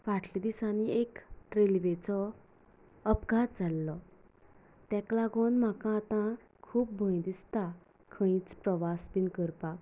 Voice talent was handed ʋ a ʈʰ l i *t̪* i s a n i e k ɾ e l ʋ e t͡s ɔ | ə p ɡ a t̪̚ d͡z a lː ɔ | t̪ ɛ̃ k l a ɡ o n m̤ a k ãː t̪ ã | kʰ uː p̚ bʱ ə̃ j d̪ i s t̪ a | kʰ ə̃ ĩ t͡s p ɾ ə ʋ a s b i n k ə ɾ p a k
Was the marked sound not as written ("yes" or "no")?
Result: yes